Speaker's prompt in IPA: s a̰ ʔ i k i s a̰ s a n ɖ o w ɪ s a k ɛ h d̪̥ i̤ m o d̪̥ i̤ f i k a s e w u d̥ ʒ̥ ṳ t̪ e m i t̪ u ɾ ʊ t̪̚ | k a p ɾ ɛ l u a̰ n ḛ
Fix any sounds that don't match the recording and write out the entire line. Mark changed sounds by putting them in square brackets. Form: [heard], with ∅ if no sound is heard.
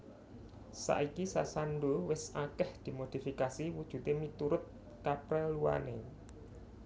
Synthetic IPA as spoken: s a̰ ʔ i k i s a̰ s a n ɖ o w ɪ s a k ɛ h d̪̥ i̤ m o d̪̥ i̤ f i k a s [i] w u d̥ ʒ̥ ṳ t̪ e m i t̪ u ɾ ʊ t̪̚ | k a p ɾ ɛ l u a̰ n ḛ